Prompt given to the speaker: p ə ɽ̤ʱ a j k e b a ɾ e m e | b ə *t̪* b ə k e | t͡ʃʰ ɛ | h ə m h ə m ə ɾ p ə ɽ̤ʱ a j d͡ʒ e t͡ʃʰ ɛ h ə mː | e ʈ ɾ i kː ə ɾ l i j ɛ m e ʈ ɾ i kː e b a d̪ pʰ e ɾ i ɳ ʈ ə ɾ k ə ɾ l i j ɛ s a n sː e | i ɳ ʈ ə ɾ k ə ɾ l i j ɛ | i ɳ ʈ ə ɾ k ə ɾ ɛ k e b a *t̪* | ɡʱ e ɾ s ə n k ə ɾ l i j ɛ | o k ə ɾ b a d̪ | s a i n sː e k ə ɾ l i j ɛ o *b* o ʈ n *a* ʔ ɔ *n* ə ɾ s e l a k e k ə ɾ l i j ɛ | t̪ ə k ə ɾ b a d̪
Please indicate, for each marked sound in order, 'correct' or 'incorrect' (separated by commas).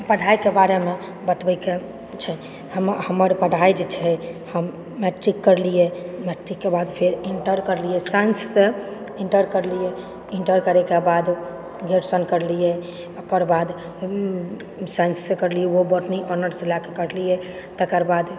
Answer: correct, incorrect, correct, incorrect, correct